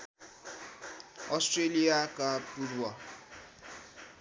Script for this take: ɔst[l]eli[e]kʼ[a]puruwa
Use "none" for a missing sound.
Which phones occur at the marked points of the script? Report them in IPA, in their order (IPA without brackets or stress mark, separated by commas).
r, a, a